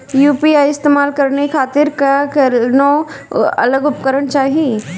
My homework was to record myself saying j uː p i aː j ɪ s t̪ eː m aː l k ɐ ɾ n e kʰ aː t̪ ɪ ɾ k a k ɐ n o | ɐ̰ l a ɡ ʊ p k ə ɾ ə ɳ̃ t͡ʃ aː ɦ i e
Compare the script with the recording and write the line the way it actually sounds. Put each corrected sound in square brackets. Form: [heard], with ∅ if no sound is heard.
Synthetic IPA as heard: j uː p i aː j ɪ s t̪ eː m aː l k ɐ ɾ n e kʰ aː t̪ ɪ ɾ k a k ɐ n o | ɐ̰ l [ə] ɡ ʊ p k ə ɾ ə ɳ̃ t͡ʃ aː ɦ i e